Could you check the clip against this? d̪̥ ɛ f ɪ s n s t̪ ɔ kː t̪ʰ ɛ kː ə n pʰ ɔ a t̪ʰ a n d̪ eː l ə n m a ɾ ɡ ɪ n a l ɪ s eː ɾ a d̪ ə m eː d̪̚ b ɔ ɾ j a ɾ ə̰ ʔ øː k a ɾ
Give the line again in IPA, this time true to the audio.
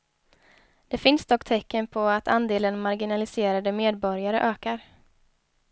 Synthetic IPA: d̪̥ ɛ f ɪ n s d̪ ɔ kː t̪ʰ ɛ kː ə n pʰ ɔ a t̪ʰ a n d̪ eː l ə n m a ɾ ɡ ɪ n a l ɪ s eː ɾ a d̪ ə m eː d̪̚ b ɔ ɾ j a ɾ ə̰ ʔ øː k a ɾ